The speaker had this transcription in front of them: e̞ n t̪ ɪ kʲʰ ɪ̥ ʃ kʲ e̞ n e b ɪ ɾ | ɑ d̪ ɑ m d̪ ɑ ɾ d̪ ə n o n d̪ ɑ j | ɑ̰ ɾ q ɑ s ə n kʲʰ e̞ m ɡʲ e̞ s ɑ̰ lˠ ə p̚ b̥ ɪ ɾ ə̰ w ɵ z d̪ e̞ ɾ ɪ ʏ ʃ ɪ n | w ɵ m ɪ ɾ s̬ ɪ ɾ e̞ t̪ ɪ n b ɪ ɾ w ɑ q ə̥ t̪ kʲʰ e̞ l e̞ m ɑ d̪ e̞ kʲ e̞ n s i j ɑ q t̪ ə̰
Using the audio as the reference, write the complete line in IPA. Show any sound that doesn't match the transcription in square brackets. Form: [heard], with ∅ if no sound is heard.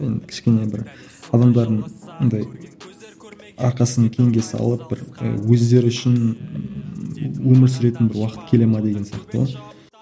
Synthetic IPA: e̞ n [d̪] ɪ kʲʰ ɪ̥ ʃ kʲ e̞ n e b ɪ ɾ | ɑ d̪ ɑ m d̪ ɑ ɾ d̪ ə [ɴ] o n d̪ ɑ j | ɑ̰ ɾ q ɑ s ə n kʲʰ e̞ [ŋ] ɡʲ e̞ s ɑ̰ lˠ ə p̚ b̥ ɪ ɾ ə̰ w ɵ z d̪ e̞ ɾ ɪ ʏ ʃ ɪ n | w ɵ m ɪ ɾ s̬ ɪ ɾ e̞ t̪ ɪ n b ɪ ɾ w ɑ q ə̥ t̪ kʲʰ e̞ l e̞ m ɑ d̪ e̞ [ɡʲ] e̞ n s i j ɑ q t̪ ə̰